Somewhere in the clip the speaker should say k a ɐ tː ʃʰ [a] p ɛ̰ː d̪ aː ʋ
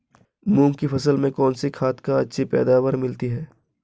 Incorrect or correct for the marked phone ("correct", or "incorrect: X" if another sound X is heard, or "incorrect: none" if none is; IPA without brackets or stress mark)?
incorrect: i